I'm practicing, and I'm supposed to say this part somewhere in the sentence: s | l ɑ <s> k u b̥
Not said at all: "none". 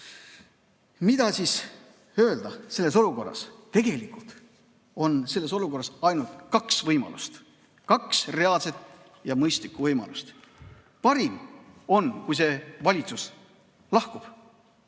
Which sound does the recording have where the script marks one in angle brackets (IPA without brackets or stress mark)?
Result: h